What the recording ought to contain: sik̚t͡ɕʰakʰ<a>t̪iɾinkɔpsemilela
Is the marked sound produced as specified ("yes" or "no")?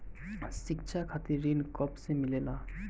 yes